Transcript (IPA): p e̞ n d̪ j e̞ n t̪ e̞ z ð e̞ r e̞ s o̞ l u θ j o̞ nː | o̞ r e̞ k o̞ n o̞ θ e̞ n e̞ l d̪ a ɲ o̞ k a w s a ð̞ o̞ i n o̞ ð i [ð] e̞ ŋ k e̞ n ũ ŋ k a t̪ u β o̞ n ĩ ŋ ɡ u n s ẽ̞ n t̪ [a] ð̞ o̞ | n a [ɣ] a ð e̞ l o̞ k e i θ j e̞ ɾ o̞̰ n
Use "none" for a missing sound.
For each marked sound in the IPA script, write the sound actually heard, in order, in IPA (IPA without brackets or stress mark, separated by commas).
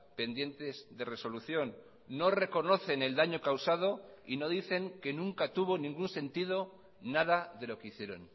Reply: θ, i, ð